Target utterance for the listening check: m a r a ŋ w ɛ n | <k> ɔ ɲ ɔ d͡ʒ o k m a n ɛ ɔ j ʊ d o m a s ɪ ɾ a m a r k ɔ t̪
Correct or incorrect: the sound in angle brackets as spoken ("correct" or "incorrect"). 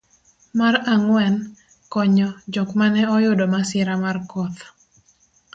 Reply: correct